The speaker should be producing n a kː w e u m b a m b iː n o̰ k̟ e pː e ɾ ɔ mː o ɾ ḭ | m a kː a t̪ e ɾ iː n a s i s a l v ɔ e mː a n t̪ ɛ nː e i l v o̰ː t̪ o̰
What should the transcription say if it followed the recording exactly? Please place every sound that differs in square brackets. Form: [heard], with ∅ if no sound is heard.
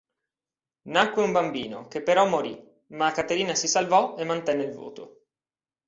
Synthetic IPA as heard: n a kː w e u m b a m b iː n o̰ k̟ e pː e ɾ ɔ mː o ɾ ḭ | m a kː a t̪ e ɾ iː n a s i s a l v ɔ e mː a n t̪ ɛ nː e i l v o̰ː t̪ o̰

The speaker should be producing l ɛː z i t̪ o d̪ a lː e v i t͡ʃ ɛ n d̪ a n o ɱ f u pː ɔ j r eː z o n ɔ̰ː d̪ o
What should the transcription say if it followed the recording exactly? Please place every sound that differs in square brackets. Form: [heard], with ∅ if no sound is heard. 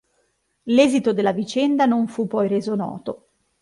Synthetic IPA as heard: l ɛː z i t̪ o d̪ [e] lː [a] v i t͡ʃ ɛ n d̪ a n o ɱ f u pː ɔ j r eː z o n ɔ̰ː [t̪] o

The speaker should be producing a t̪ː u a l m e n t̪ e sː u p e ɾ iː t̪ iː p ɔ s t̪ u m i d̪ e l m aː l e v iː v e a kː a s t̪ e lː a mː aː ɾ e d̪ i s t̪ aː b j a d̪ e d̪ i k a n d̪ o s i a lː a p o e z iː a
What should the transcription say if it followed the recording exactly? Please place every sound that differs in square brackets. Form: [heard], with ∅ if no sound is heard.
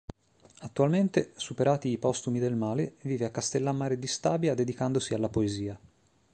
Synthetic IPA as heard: a t̪ː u a l m e n t̪ e [s] u p e ɾ [aː] t̪ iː p ɔ s t̪ u m i d̪ e l m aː l e v iː v e a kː a s t̪ e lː a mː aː ɾ e d̪ i s t̪ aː b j a d̪ e d̪ i k a n d̪ o s i a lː a p o e z iː a

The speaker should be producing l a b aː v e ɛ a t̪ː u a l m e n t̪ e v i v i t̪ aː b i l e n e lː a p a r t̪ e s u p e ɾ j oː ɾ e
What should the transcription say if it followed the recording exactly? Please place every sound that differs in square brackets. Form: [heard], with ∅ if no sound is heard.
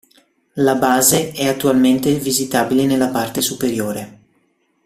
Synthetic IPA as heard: l a b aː [z] e ɛ a t̪ː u a l m e n t̪ e v i [z] i t̪ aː b i l e n e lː a p a r t̪ e s u p e ɾ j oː ɾ e

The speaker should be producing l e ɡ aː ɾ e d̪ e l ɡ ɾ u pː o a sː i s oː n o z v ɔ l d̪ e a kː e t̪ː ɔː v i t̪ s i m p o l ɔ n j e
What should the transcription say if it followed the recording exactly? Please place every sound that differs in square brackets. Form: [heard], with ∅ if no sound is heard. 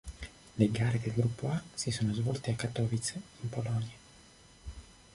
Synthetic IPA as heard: l e ɡ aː ɾ e d̪ e l ɡ ɾ u pː o a [s] i s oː n o z v ɔ l [t̪] e a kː [a] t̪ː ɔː v i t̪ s i m p o l ɔ n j [a]

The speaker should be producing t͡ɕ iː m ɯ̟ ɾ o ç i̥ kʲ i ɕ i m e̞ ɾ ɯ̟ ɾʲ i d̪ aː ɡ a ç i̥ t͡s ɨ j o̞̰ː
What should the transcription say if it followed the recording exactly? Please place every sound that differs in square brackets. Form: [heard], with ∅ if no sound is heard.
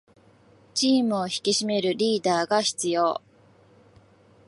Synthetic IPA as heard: t͡ɕ iː m ɯ̟ [∅] o ç i̥ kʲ i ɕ i m e̞ ɾ ɯ̟ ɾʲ [iː] d̪ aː ɡ a ç i̥ t͡s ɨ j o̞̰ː

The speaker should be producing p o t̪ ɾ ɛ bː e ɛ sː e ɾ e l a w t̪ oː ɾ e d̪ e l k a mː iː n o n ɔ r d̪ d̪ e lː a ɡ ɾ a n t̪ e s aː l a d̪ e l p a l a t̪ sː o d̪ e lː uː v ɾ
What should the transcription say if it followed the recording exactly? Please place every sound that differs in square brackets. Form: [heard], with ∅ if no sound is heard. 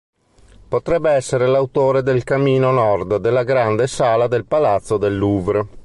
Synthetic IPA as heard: p o t̪ ɾ ɛ bː e ɛ sː e ɾ e l a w t̪ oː ɾ e d̪ e l k a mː iː n o n ɔ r d̪ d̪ e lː a ɡ ɾ a n [d̪] e s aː l a d̪ e l p a l a t̪ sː o d̪ e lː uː v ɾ

